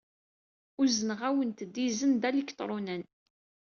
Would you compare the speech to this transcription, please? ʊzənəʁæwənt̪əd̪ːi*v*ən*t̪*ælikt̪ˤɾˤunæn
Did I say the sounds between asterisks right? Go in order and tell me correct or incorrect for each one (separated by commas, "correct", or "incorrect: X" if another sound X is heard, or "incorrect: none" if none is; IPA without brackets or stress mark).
incorrect: z, incorrect: d̪